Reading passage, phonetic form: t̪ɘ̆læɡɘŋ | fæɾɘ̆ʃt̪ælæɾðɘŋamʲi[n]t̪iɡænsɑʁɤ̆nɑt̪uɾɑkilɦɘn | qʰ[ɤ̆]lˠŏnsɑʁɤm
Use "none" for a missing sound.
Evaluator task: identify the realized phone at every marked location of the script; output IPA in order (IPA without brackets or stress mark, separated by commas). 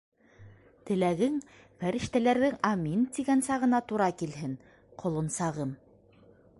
n, ŏ